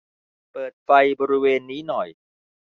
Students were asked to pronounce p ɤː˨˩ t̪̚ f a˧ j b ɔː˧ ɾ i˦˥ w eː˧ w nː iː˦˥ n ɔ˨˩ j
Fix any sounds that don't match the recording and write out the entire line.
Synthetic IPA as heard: p ɤː˨˩ t̪̚ f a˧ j b ɔː˧ ɾ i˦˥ w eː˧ nː iː˦˥ n ɔ˨˩ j